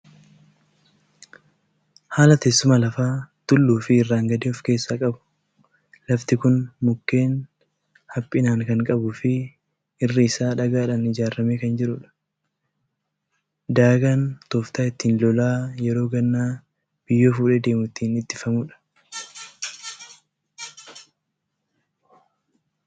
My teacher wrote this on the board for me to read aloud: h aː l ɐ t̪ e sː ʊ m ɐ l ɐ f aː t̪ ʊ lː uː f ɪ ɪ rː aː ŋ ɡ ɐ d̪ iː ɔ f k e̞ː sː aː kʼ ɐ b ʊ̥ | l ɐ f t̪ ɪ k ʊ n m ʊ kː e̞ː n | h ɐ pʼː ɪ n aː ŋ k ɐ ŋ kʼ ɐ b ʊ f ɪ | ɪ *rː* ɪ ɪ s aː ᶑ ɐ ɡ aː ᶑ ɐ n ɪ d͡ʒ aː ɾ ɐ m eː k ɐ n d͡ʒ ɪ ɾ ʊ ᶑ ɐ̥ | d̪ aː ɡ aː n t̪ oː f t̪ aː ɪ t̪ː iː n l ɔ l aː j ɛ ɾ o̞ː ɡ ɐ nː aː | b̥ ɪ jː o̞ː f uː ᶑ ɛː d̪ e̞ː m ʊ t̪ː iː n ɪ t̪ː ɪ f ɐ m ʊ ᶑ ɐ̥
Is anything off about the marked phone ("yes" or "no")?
no